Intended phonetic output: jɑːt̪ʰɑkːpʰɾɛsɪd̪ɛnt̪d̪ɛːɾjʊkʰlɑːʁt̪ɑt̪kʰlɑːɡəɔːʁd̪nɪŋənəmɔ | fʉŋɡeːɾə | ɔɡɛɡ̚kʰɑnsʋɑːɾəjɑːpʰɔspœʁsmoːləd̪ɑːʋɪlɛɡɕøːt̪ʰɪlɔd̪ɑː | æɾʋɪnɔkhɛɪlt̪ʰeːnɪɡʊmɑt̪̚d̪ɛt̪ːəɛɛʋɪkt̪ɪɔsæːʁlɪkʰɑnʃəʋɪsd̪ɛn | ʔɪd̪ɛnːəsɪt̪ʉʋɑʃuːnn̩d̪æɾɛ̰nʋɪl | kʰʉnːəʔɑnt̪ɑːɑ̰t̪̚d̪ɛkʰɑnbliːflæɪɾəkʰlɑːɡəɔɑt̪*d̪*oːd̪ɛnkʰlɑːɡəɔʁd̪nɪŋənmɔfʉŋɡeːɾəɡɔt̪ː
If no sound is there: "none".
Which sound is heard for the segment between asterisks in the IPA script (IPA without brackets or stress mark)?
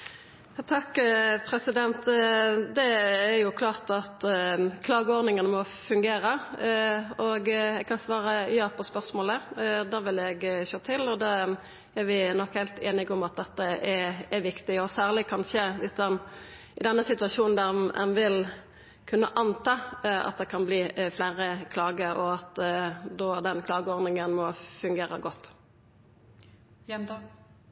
d̪